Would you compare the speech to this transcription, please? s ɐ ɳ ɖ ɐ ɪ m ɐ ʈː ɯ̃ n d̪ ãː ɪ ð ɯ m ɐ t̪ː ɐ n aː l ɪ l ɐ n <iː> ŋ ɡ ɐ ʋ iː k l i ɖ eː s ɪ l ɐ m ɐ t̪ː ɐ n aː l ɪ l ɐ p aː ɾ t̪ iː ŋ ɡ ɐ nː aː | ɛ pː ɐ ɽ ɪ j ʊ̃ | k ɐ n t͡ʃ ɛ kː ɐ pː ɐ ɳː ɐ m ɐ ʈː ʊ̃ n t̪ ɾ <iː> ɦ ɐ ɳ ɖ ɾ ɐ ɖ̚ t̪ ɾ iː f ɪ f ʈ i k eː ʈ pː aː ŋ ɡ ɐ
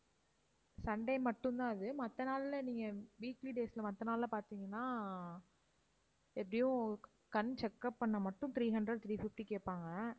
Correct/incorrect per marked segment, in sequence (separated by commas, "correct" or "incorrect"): correct, correct